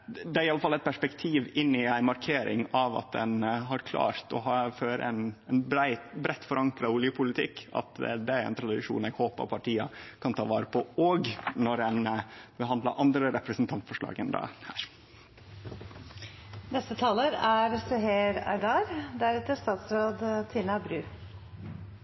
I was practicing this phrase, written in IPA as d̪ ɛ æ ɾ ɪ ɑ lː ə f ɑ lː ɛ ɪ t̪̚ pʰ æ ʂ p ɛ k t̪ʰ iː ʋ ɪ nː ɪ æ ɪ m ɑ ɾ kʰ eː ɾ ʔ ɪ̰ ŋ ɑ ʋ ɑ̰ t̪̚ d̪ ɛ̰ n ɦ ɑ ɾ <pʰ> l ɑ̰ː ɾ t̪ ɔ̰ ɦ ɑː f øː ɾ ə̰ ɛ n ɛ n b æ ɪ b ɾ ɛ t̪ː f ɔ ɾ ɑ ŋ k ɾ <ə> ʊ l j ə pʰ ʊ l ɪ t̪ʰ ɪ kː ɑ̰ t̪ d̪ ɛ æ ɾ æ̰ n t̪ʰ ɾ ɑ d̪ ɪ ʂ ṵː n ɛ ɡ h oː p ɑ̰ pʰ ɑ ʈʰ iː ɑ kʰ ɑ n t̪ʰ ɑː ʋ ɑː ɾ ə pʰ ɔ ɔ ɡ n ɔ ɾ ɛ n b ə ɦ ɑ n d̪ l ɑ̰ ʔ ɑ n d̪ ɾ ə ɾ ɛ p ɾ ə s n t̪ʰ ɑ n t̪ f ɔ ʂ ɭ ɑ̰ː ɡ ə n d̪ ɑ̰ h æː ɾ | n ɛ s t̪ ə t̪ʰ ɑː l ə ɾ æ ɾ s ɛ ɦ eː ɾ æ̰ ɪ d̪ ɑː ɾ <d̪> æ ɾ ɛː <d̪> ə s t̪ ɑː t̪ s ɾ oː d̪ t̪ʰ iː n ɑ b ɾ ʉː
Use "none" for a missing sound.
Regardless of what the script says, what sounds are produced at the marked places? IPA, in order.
kʰ, ɑ, d̪, t̪

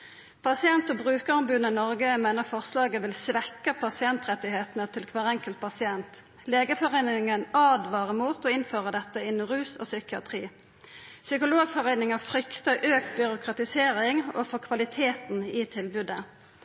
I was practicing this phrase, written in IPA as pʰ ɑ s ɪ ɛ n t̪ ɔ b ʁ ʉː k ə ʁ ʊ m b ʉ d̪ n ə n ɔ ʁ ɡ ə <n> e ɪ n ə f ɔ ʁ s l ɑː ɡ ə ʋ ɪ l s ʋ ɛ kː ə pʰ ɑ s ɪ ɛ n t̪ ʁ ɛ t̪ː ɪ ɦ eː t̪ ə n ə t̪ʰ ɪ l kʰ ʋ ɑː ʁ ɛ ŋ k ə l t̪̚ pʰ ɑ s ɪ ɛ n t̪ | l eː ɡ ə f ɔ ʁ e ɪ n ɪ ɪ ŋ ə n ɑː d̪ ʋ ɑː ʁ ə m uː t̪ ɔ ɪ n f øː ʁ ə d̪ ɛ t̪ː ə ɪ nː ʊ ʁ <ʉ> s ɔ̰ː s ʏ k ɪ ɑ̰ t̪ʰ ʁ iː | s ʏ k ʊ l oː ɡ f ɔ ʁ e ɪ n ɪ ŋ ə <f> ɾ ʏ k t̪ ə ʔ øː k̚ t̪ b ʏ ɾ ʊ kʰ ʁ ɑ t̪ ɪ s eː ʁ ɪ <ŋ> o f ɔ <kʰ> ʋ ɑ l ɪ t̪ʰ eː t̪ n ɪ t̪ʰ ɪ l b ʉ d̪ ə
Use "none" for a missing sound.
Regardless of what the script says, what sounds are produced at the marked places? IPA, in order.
m, ʉː, f, ŋ, kʰ

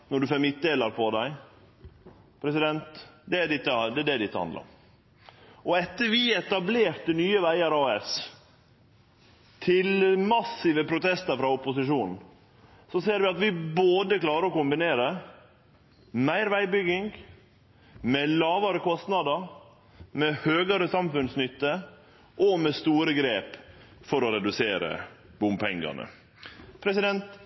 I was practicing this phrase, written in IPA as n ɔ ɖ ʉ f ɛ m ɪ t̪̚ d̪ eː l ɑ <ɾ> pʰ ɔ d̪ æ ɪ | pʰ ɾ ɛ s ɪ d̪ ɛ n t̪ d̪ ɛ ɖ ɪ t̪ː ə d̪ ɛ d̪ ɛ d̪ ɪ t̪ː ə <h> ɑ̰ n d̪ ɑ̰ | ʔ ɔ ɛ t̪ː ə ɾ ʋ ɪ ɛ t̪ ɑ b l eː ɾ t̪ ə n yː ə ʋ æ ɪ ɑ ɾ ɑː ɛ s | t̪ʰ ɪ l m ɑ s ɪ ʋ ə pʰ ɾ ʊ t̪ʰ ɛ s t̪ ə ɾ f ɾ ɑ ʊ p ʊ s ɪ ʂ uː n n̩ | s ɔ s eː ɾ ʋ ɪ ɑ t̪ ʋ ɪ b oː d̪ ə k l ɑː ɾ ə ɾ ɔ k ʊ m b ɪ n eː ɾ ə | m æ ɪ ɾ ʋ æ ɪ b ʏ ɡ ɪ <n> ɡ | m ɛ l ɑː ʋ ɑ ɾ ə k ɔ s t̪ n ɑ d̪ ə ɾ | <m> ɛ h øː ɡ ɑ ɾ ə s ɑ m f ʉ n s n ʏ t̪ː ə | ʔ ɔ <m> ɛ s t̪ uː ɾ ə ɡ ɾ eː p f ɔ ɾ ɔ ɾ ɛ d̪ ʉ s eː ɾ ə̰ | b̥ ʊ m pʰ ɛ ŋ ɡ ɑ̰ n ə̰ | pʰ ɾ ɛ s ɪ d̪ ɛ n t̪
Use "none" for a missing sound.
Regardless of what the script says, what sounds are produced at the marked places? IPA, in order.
ɾ, h, ŋ, m, m

